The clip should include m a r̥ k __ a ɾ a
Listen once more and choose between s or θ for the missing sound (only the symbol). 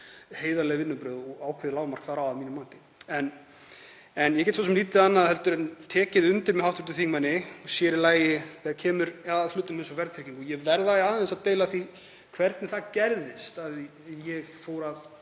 θ